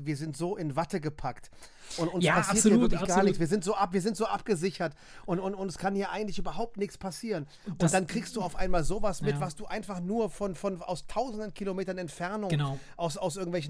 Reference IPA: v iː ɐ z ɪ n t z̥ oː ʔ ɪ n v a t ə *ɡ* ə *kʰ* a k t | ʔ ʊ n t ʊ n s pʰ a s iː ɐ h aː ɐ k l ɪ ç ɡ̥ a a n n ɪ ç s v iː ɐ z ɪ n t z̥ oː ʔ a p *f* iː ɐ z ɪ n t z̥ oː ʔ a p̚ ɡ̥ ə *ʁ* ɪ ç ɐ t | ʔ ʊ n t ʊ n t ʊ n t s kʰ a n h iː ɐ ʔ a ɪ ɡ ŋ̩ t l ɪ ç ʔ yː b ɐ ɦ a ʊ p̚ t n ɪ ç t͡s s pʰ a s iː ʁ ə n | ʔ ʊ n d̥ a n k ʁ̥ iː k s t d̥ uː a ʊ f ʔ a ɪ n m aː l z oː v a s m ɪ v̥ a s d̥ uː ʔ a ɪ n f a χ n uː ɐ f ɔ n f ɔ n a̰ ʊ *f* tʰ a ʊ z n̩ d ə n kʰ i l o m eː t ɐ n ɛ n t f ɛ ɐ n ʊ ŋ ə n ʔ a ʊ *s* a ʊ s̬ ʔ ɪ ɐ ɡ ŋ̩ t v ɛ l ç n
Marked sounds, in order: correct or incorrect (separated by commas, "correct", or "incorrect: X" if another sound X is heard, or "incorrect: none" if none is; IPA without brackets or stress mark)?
correct, incorrect: pʰ, incorrect: v, incorrect: z, incorrect: s, correct